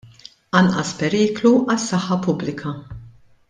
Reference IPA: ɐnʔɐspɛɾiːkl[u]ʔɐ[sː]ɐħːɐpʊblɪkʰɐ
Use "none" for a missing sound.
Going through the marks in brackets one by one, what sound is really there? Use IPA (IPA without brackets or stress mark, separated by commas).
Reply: u, sː